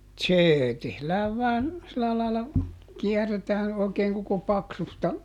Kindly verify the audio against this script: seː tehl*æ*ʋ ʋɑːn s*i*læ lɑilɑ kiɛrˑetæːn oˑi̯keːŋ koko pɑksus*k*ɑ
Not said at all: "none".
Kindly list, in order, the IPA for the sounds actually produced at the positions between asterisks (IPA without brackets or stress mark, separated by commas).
æː, i, t